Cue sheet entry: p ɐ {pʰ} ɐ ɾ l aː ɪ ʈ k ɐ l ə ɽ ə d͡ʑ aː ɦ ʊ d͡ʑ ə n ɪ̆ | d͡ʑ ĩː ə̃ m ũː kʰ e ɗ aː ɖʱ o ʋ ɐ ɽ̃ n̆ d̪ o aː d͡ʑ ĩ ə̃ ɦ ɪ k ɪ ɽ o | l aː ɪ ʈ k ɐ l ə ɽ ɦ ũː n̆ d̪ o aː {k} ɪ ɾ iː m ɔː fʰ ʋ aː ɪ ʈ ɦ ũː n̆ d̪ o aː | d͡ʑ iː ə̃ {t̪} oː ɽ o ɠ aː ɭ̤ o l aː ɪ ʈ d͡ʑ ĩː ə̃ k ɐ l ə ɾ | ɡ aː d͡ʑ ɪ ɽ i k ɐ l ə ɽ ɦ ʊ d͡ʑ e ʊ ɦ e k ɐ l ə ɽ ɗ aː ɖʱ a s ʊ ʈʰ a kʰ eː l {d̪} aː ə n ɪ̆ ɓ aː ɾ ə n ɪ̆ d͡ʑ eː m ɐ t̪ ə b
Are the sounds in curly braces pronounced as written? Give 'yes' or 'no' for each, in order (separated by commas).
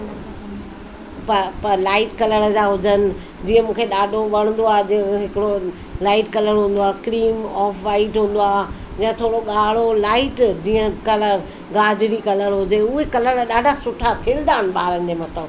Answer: no, yes, no, yes